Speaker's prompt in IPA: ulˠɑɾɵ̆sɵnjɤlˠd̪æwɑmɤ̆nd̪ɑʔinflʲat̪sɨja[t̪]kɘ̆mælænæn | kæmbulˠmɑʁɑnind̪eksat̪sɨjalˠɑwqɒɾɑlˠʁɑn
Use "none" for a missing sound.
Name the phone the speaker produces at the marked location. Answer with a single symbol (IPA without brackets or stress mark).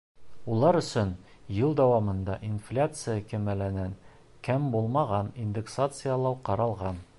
none